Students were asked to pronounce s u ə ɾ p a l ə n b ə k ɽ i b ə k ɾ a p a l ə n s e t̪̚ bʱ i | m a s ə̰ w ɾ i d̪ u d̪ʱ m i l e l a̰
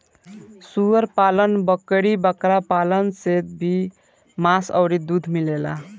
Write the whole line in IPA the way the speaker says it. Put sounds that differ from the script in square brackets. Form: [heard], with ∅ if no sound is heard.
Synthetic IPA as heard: s u ə ɾ p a l ə n b ə k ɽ i b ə k ɾ a p a l ə n s e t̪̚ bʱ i | m a s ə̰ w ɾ i d̪ u d̪ʱ m i l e l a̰